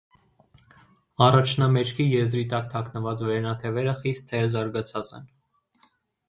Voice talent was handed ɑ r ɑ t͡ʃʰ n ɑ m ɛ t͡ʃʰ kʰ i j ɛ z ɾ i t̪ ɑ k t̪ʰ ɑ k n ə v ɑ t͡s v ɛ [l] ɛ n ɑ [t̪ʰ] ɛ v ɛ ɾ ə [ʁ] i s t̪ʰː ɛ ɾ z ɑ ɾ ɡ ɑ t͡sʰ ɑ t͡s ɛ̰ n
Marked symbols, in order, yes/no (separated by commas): no, yes, no